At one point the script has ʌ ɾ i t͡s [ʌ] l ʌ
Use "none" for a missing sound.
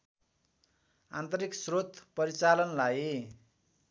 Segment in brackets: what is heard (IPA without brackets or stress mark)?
a